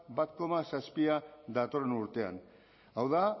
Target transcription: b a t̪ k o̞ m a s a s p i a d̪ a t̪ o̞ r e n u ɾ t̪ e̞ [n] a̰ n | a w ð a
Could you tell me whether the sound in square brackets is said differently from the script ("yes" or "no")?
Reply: yes